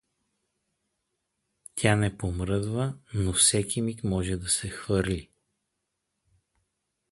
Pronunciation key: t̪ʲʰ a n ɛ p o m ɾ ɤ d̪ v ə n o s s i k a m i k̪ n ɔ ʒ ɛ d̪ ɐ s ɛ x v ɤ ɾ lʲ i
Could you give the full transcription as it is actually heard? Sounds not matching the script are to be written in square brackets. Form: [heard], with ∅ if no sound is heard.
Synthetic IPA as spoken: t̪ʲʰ a n ɛ p o m ɾ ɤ d̪ v ə n o [f] s [ɛ] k [i] m i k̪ [m] ɔ ʒ ɛ d̪ ɐ s ɛ x v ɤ ɾ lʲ i